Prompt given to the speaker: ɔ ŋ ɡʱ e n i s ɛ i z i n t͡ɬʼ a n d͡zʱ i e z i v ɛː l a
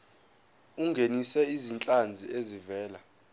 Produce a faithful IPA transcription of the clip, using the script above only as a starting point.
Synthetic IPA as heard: u ŋ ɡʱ e n i s ɛ i z i n t͡ɬʼ a n d͡zʱ i e z i v ɛː l a